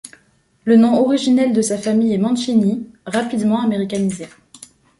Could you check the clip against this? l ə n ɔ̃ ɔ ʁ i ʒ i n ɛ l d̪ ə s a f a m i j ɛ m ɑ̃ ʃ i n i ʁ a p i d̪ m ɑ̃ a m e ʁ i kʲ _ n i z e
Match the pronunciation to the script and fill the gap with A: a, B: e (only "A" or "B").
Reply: A